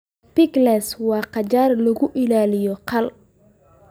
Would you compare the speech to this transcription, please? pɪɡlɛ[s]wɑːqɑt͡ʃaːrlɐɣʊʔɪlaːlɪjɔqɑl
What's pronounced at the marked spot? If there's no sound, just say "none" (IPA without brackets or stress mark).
s